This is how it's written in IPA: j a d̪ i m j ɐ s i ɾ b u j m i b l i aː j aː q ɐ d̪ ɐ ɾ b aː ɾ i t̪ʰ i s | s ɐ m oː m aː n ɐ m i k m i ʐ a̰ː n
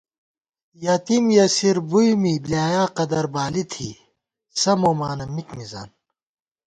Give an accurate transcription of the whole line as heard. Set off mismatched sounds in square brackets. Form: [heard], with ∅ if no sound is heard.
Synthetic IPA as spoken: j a [t̪] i m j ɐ s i ɾ b u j m i b l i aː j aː q ɐ d̪ ɐ ɾ b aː [l] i t̪ʰ i [∅] | s ɐ m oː m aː n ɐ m i k m i [z] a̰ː n

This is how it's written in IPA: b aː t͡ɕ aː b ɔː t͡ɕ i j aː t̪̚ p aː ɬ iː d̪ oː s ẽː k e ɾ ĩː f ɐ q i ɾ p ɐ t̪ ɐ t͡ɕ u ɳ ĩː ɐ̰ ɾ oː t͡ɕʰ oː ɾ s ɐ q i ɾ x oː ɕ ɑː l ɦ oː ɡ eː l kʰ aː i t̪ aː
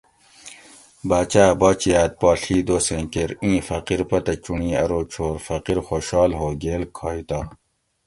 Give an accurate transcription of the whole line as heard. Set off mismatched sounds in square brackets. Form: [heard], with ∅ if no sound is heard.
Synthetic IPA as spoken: b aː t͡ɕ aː b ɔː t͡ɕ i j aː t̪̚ p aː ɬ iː d̪ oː s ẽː k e ɾ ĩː f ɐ q i ɾ p ɐ t̪ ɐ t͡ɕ u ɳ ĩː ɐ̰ ɾ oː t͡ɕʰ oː ɾ [f] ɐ q i ɾ x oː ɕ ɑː l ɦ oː ɡ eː l kʰ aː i t̪ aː

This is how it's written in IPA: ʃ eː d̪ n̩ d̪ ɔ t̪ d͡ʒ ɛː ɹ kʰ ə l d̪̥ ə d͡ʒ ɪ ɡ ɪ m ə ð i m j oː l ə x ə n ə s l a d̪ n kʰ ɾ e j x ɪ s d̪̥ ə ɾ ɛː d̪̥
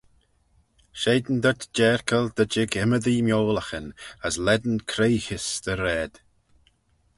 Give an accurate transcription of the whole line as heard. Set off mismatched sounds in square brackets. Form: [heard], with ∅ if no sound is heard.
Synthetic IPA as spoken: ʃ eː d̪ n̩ d̪ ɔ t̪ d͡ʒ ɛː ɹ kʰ ə l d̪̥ ə d͡ʒ ɪ ɡ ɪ m ə ð i m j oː l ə x ə n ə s l [ɛ] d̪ n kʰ ɾ e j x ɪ s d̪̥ ə ɾ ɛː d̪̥

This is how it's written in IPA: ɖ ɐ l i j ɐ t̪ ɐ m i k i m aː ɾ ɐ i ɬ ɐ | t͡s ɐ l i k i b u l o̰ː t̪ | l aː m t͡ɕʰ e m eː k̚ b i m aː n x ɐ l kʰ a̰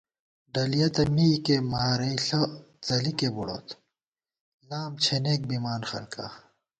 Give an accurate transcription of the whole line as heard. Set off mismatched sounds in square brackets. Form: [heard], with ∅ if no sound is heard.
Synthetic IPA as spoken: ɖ ɐ l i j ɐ t̪ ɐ m i k [e] m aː ɾ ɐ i ɬ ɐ | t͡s ɐ l i k [e] b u [ɽ] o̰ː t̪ | l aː m t͡ɕʰ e [n] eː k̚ b i m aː n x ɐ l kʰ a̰

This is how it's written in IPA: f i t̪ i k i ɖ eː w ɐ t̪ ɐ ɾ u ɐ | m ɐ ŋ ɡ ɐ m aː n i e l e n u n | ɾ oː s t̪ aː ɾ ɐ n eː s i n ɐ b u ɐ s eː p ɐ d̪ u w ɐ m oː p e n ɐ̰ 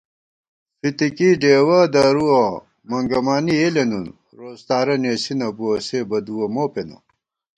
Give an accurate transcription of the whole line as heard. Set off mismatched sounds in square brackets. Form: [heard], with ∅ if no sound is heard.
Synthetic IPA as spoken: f i t̪ i k i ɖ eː w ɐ [d̪] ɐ ɾ u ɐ | m ɐ ŋ ɡ ɐ m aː n i e l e n u n | ɾ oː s t̪ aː ɾ ɐ n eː s i n ɐ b u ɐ s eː [b] ɐ d̪ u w ɐ m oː p e n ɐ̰

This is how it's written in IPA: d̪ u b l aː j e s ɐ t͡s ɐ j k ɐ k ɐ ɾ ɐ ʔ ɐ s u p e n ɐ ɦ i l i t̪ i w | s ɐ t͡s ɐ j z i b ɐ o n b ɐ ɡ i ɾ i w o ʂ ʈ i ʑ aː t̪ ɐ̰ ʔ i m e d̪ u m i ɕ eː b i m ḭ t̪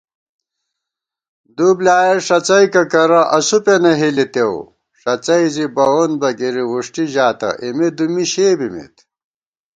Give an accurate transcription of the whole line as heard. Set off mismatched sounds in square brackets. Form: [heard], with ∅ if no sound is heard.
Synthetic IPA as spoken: d̪ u b l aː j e [ʂ] ɐ t͡s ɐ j k ɐ k ɐ ɾ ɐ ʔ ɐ s u p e n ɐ ɦ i l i t̪ [e] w | [ʂ] ɐ t͡s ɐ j z i b ɐ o n b ɐ ɡ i ɾ i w [u] ʂ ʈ i ʑ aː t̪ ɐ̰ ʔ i m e d̪ u m i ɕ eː b i m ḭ t̪

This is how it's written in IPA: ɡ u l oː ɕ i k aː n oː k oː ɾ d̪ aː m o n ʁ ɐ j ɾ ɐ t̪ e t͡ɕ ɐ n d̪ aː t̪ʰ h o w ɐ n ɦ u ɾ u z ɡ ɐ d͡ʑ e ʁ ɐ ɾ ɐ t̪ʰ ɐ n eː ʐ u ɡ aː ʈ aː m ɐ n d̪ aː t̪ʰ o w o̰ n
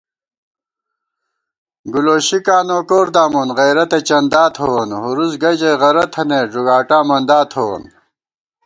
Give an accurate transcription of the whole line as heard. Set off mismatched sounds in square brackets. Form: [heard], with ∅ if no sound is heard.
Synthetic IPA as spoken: ɡ u l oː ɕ i k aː n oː k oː ɾ d̪ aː m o n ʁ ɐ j ɾ ɐ t̪ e t͡ɕ ɐ n d̪ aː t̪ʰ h o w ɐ n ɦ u ɾ u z ɡ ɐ d͡ʑ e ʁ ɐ ɾ ɐ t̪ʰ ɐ n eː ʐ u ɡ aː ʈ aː m ɐ n d̪ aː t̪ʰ o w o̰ n

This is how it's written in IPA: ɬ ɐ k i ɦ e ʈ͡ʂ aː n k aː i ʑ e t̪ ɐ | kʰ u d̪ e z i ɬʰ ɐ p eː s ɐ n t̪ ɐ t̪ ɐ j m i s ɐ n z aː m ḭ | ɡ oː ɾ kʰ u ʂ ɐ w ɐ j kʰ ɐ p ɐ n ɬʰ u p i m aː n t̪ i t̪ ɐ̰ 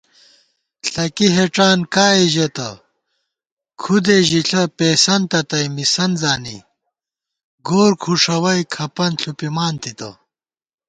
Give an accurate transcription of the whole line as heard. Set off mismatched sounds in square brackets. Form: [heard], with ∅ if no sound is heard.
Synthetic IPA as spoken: ɬ ɐ k i ɦ e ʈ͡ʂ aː n k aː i ʑ e t̪ ɐ | kʰ u d̪ e [ʑ] i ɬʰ ɐ p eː s ɐ n t̪ ɐ t̪ ɐ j m i s ɐ n z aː [n] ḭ | ɡ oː ɾ kʰ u ʂ ɐ w ɐ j kʰ ɐ p ɐ n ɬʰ u p i m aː n t̪ i t̪ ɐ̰

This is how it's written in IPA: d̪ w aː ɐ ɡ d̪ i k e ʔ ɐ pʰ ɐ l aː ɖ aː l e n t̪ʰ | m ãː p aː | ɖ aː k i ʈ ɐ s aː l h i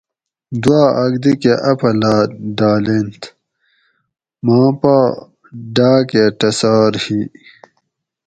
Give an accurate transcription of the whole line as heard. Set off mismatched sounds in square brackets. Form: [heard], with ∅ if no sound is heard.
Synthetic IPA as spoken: d̪ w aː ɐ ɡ d̪ i k e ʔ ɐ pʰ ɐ l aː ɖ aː l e n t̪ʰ | m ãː p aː | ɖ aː k [e] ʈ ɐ s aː [ɾ] h i

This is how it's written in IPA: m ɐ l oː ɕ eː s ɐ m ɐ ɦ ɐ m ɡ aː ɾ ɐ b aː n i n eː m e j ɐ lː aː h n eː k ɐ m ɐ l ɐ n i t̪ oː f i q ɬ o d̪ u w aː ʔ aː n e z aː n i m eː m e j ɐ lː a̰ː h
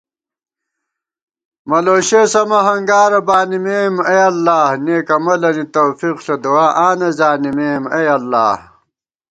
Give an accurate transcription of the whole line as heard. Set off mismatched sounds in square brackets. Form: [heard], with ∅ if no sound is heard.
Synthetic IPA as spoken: m ɐ l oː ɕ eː s ɐ m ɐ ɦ ɐ [ŋ] ɡ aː ɾ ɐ b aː n i [m] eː m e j ɐ lː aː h n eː k ɐ m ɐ l ɐ n i t̪ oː f i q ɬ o d̪ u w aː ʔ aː n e z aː n i m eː m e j ɐ lː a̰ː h

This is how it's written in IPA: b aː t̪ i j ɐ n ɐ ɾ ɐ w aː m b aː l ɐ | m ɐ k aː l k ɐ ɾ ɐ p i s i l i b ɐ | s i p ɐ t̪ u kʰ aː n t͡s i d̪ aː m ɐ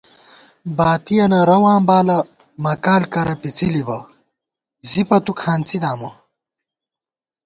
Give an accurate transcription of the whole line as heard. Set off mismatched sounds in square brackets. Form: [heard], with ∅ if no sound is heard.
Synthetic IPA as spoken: b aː t̪ i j ɐ n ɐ ɾ ɐ w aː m b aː l ɐ | m ɐ k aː l k ɐ ɾ ɐ p i [t͡s] i l i b ɐ | [z] i p ɐ t̪ u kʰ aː n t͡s i d̪ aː m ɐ

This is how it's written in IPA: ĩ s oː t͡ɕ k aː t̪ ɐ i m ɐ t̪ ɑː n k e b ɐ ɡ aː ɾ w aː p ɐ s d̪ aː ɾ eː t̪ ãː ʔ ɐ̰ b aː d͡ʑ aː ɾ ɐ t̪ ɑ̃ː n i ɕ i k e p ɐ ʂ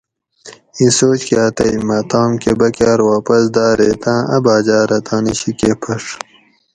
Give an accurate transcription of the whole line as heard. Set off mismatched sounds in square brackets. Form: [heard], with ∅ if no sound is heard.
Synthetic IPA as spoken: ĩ s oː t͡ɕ k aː t̪ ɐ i m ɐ t̪ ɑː [m] k e b ɐ [k] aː ɾ w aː p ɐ s d̪ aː ɾ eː t̪ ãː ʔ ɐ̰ b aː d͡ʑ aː ɾ ɐ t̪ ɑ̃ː n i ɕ i k e [pʰ] ɐ ʂ

